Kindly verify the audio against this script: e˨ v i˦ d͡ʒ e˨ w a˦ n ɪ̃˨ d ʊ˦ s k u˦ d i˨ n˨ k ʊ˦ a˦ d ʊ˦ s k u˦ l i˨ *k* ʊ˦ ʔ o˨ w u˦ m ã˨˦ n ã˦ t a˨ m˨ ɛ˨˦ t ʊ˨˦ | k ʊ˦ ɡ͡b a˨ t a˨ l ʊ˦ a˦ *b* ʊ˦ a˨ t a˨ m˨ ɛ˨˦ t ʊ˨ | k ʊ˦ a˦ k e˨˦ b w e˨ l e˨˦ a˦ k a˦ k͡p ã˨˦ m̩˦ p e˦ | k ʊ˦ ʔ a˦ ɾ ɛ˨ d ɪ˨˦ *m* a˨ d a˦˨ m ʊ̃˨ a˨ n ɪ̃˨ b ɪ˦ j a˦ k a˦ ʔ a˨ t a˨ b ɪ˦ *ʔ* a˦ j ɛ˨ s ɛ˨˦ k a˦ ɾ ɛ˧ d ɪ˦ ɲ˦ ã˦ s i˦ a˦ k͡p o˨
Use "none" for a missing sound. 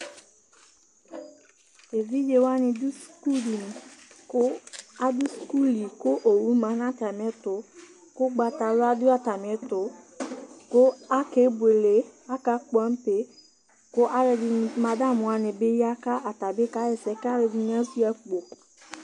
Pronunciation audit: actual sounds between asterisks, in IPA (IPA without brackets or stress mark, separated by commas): k, d, m, k